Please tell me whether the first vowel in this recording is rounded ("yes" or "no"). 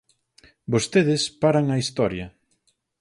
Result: yes